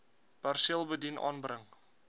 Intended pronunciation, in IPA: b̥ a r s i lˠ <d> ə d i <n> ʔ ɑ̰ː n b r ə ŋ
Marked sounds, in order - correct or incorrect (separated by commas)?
incorrect, correct